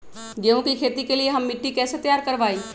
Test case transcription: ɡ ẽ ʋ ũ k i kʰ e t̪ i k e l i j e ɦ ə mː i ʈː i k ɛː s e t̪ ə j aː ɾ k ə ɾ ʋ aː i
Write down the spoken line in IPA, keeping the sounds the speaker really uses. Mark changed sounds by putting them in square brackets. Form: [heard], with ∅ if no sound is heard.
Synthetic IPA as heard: ɡ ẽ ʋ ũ k i kʰ e t̪ i k e l i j e ɦ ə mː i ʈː i k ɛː s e t̪ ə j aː ɾ k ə ɾ ʋ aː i